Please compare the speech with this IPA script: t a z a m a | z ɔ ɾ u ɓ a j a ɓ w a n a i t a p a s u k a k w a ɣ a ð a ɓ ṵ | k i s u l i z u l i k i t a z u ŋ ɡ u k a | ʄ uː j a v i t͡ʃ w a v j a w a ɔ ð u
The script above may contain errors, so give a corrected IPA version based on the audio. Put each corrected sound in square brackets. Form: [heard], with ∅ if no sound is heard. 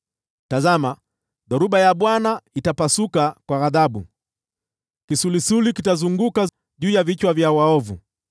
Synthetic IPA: t a z a m a | [ð] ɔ ɾ u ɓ a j a ɓ w a n a i t a p a s u k a k w a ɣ a ð a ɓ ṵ | k i s u l i [s] u l i k i t a z u ŋ ɡ u k a | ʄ uː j a v i t͡ʃ w a v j a w a ɔ [v] u